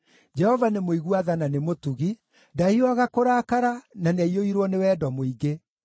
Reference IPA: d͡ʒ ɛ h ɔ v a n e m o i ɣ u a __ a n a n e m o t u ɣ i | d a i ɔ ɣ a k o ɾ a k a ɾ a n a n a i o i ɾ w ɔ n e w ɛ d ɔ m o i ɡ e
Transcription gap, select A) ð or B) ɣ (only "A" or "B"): A